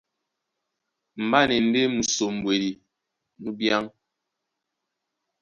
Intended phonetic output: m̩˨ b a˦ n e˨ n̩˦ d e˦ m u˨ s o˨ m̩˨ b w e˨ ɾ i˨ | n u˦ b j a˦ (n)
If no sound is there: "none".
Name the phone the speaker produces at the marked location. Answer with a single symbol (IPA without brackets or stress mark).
ŋ